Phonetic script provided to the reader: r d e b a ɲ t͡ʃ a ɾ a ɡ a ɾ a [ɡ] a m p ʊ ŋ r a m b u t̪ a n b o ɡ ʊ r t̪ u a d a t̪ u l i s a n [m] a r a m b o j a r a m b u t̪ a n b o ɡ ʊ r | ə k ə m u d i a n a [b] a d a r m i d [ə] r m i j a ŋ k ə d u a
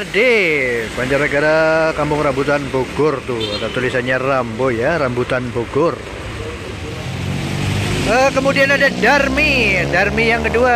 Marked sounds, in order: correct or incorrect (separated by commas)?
incorrect, incorrect, incorrect, incorrect